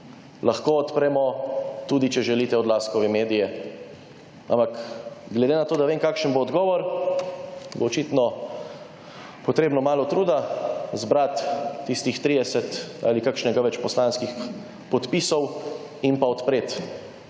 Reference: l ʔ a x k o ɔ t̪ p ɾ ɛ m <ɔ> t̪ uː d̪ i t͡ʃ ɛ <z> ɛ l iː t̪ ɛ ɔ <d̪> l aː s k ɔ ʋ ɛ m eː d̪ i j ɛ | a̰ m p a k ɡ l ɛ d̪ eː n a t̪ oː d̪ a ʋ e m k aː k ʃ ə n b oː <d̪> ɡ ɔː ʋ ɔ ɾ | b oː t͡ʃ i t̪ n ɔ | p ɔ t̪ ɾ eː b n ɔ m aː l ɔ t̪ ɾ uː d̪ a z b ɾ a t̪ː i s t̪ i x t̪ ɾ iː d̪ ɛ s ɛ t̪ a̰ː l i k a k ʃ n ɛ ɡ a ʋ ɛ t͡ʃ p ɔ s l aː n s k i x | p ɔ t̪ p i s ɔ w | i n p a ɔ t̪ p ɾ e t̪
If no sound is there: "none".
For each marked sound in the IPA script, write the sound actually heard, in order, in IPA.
ɔ, ʒ, d̪, d̪

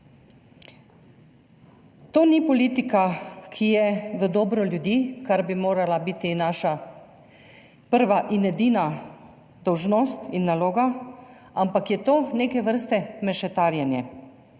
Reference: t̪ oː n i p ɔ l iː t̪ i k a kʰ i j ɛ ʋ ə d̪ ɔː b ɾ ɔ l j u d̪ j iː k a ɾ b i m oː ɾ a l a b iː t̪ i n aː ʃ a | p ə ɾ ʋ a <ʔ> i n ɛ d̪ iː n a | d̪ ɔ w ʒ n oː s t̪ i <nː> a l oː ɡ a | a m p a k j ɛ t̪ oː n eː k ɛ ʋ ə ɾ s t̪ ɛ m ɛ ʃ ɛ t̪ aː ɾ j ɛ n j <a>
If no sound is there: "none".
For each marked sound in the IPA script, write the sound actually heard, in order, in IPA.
ʔ, nː, ɛ

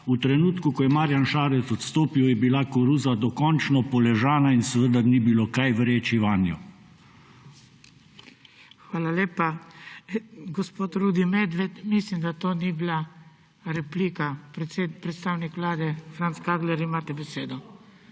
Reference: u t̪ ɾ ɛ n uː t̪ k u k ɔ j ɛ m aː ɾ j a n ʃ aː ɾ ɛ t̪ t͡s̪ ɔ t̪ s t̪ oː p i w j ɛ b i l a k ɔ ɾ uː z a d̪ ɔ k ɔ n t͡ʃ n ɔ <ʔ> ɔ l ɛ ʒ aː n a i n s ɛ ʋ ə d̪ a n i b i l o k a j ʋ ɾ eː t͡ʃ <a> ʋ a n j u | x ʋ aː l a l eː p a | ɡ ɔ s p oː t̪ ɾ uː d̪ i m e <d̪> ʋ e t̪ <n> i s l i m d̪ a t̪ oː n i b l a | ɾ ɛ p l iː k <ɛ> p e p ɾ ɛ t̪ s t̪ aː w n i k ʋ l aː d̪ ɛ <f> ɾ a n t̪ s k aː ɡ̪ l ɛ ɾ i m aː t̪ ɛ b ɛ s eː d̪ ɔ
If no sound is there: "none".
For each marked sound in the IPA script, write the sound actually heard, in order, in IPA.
p, i, d̪, m, a, f

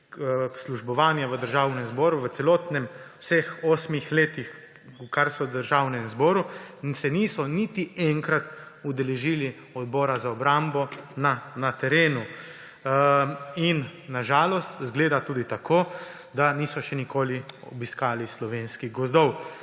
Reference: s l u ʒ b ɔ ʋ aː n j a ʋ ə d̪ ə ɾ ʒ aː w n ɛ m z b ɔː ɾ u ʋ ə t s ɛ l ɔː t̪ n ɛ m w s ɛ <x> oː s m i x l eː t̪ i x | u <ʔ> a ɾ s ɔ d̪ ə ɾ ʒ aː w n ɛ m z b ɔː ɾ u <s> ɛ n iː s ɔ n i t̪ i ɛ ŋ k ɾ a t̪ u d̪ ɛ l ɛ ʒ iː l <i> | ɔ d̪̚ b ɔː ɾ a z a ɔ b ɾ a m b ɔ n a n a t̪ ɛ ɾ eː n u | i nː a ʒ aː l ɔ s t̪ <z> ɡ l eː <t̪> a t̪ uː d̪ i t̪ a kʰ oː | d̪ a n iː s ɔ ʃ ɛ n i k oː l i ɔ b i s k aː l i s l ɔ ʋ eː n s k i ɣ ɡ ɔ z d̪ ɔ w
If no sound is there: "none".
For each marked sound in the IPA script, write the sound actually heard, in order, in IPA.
x, k, s, i, z, d̪

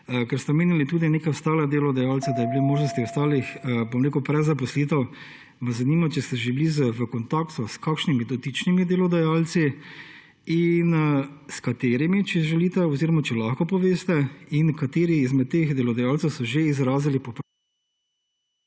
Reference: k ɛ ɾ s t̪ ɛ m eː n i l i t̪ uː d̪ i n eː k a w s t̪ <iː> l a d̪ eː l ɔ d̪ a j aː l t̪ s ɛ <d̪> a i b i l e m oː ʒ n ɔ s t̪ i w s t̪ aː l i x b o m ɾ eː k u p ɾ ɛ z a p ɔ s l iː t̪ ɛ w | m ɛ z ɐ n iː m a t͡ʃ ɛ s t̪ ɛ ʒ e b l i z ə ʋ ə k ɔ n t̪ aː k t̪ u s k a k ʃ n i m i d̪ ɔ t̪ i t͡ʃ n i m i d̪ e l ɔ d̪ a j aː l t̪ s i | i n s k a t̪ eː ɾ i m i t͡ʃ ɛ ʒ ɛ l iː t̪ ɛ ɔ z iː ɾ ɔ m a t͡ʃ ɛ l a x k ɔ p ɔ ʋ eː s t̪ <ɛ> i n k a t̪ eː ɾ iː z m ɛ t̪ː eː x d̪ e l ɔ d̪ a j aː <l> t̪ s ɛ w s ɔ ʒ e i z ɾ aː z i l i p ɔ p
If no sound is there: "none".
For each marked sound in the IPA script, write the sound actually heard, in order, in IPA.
aː, d̪, ɛ, l

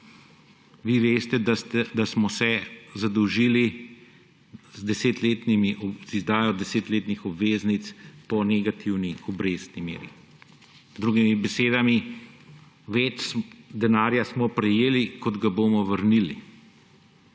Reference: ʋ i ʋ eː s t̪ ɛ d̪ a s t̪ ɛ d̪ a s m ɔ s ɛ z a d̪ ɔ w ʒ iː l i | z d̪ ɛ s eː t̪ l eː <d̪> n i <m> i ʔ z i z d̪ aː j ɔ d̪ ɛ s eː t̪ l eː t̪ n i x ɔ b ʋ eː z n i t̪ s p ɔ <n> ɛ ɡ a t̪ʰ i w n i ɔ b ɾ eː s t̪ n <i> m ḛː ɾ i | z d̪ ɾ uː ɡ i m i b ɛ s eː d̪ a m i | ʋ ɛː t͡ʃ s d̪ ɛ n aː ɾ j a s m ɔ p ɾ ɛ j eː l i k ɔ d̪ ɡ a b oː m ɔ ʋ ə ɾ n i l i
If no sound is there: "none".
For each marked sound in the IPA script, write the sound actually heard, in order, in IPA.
t̪, m, n, i

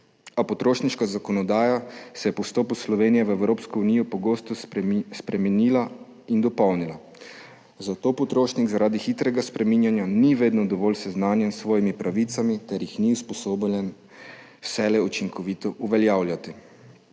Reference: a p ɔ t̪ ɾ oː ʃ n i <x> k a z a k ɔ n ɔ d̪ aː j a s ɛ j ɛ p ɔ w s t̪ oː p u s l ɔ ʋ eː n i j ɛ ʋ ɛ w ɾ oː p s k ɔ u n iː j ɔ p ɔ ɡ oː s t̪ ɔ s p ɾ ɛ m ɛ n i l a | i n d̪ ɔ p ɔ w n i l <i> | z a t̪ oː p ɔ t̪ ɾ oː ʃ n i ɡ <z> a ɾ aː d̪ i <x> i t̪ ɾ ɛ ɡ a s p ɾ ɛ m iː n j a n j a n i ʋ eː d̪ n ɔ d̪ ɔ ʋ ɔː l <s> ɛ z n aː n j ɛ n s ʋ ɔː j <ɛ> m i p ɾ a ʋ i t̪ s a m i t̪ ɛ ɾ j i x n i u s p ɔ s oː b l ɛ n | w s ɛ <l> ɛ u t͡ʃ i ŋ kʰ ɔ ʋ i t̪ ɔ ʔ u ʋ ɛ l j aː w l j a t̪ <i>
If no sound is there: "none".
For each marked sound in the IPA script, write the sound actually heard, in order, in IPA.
ʃ, a, z, x, s, i, l, i

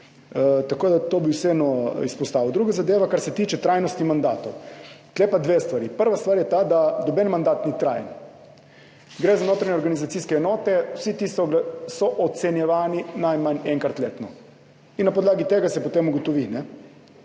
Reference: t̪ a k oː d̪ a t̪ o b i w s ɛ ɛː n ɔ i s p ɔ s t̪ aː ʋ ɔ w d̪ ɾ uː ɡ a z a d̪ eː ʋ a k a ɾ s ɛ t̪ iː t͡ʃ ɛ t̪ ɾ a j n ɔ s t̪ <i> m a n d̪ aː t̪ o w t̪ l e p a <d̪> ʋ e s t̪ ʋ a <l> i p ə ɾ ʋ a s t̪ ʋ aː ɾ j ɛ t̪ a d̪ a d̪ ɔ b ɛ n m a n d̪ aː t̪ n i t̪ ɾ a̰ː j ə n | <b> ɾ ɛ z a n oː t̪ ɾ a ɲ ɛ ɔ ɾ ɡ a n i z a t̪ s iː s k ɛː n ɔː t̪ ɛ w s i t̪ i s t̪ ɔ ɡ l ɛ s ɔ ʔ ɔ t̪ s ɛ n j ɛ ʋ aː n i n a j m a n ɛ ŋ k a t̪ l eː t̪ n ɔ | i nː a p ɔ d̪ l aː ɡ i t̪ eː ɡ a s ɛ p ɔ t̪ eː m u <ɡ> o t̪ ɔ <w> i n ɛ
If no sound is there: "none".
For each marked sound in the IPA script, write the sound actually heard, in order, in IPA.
i, d̪, ɾ, ɡ, ɡ, ʋ

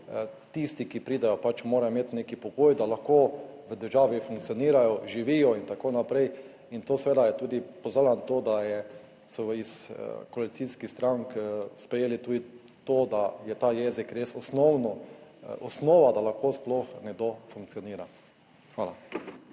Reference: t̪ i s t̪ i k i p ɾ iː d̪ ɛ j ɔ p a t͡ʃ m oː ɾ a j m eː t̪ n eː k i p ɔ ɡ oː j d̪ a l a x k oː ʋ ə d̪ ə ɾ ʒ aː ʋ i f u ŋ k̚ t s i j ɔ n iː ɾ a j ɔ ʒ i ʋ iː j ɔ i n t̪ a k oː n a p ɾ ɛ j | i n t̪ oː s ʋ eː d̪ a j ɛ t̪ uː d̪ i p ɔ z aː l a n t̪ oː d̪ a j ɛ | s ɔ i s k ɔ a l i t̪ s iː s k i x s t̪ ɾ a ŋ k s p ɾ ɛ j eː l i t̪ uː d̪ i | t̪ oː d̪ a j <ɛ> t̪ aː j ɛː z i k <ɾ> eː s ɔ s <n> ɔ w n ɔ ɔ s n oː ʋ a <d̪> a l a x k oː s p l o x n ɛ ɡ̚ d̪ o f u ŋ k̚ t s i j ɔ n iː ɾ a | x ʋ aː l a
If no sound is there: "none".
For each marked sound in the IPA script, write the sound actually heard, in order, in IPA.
ɛ, ɾ, n, d̪

